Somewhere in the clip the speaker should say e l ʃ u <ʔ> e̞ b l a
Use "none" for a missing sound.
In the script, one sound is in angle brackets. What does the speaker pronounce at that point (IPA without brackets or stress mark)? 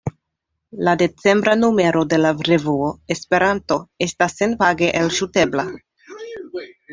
t